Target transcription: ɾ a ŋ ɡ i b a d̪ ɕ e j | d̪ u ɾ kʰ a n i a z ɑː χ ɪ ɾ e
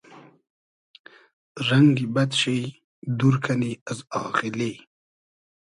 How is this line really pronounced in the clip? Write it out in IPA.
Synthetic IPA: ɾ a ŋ ɡ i b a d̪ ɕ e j | d̪ u ɾ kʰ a n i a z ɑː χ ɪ l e